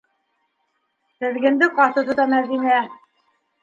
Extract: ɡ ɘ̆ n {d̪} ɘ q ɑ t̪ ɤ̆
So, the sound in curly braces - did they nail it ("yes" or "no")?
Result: yes